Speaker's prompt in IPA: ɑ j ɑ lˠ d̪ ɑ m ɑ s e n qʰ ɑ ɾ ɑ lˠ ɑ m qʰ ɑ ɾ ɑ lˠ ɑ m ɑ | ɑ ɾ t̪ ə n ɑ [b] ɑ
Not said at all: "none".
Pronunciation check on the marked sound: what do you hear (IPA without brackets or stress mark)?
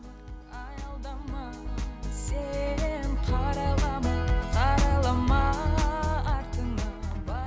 b